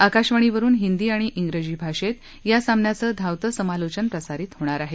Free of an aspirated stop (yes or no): yes